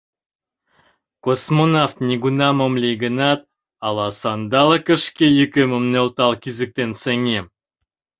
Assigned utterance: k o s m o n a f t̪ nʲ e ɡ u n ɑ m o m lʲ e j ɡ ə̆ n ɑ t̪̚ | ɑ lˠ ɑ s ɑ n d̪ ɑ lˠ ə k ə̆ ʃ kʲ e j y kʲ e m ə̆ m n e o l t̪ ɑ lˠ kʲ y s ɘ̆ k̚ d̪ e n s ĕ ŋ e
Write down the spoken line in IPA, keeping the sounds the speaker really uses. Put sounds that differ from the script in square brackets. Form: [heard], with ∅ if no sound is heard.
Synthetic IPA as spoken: k o s m o n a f t̪ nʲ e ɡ u n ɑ m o m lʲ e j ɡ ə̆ n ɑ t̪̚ | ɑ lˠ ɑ s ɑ n d̪ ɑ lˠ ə k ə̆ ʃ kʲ e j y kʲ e m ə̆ m n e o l t̪ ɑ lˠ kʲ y [z] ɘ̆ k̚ [t̪] e n s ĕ ŋ e